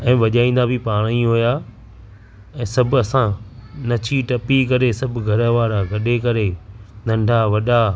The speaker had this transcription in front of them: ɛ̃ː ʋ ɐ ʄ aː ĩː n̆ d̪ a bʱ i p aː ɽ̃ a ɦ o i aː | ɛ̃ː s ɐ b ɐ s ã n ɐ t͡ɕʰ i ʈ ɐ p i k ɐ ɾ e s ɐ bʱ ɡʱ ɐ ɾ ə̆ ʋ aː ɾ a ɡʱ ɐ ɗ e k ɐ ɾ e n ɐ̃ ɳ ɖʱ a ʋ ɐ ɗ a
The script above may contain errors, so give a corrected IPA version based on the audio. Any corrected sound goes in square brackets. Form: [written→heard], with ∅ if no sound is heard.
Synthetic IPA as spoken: ɛ̃ː ʋ ɐ ʄ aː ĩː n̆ d̪ a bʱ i p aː ɽ̃ [a→i] ɦ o [i→j] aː | ɛ̃ː s ɐ b ɐ s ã n ɐ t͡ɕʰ i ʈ ɐ p i k ɐ ɾ e s ɐ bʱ ɡʱ ɐ ɾ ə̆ ʋ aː ɾ a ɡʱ ɐ ɗ e k ɐ ɾ e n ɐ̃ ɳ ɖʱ a ʋ ɐ ɗ a